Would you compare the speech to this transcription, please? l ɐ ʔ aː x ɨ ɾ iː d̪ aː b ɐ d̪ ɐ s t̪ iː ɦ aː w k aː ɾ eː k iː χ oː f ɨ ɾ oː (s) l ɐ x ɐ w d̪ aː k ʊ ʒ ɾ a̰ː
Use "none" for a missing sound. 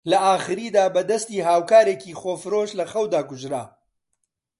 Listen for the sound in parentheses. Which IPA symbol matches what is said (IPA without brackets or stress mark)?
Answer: ʃ